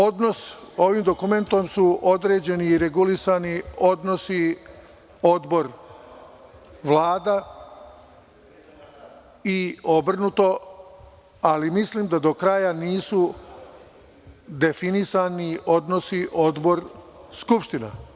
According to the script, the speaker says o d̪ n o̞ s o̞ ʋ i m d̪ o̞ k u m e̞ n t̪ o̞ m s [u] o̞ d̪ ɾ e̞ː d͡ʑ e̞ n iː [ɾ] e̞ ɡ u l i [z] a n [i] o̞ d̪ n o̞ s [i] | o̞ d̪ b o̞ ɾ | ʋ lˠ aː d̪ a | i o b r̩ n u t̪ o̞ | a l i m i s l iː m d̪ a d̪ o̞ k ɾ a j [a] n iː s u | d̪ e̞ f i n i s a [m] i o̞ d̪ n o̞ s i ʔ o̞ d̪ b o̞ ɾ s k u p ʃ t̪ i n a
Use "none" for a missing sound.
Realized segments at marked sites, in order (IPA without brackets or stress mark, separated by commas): u, ɾ, s, i, i, a, n